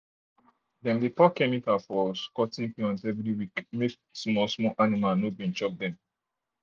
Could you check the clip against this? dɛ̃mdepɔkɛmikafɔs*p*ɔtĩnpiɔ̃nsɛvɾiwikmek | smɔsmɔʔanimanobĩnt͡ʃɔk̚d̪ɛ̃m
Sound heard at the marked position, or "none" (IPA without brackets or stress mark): k